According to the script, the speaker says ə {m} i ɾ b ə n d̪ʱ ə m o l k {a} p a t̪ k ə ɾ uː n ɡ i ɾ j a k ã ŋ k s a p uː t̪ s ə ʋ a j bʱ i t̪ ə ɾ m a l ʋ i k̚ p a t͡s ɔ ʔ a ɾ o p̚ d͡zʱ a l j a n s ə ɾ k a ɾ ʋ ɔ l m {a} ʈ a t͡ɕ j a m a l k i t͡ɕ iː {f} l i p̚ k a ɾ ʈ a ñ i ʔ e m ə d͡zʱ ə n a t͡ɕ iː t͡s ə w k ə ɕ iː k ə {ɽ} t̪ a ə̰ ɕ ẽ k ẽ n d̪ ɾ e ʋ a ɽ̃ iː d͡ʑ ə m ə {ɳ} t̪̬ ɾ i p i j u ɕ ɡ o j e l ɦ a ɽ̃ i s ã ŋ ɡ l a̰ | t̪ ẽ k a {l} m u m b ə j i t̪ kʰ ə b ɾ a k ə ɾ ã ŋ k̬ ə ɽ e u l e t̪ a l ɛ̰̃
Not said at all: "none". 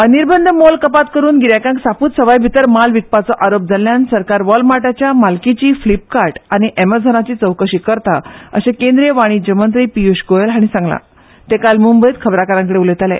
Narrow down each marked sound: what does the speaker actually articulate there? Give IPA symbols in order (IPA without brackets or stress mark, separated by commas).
n, ə, a, f, ɾ, n, l